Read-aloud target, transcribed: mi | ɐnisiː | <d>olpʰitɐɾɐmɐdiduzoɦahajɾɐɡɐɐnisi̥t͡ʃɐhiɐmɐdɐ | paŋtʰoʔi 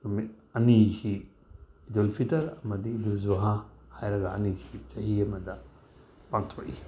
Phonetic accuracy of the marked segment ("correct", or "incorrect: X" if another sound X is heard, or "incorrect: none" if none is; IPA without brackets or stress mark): correct